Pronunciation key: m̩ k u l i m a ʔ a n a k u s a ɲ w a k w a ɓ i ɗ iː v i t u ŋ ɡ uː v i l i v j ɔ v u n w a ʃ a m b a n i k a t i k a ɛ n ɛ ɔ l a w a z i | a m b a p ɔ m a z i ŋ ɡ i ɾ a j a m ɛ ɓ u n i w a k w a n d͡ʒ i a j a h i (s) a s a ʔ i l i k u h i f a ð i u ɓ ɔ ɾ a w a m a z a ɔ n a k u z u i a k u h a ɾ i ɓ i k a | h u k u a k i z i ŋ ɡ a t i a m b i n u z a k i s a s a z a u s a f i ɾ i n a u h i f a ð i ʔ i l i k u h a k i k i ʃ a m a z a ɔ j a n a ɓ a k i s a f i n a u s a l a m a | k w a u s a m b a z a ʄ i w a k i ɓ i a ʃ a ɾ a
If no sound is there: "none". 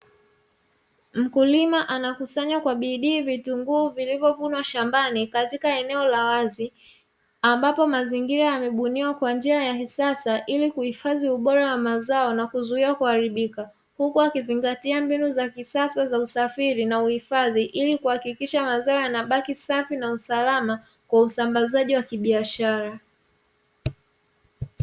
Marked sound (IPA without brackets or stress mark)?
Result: s